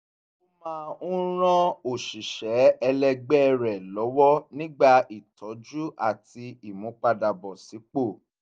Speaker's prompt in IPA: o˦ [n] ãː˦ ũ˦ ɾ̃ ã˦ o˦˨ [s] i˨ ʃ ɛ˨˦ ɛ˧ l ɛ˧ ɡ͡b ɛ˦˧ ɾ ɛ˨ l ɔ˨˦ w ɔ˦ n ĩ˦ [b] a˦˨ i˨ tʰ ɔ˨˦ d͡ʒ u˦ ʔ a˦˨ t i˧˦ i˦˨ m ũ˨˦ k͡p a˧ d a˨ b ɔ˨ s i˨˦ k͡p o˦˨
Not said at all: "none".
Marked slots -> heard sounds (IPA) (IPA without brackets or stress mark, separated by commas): m, ʃ, ɡ͡b